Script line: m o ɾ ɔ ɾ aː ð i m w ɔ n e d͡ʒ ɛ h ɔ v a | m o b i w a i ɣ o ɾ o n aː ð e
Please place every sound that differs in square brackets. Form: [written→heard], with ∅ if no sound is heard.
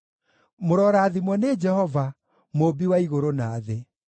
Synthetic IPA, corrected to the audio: m o ɾ ɔ ɾ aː ð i m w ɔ n e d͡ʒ ɛ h ɔ v a | m o b i w a i ɣ o ɾ o n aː ð e